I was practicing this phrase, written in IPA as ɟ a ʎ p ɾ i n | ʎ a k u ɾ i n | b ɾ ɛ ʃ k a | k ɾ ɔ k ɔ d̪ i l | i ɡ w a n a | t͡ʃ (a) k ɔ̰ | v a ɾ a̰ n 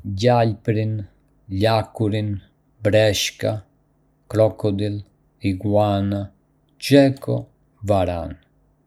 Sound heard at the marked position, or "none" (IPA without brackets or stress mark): ɛ